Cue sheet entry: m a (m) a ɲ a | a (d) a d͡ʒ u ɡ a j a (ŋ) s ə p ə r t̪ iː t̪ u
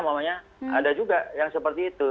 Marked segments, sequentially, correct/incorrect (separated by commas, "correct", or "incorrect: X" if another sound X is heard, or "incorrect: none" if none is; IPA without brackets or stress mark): correct, correct, correct